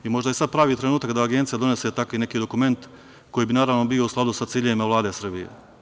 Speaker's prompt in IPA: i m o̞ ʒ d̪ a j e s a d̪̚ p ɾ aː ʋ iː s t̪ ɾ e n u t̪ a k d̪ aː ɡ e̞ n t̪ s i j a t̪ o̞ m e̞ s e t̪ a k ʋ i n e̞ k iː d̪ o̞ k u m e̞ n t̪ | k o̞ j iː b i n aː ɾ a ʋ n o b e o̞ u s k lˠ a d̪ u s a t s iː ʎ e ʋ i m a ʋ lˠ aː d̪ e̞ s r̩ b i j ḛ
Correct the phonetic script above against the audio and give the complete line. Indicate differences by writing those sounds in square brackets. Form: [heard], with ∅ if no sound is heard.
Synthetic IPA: i m o̞ ʒ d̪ a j e s a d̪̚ p ɾ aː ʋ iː [∅] t̪ ɾ e n [uː] t̪ a k d̪ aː ɡ e̞ n t̪ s i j a [d̪] o̞ [n] e̞ s e t̪ a k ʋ i n e̞ k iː d̪ o̞ k u m e̞ n t̪ | k o̞ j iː b i n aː ɾ a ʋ n o b [i] o̞ u s k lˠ a d̪ u s a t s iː ʎ e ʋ i m a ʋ lˠ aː d̪ e̞ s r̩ b i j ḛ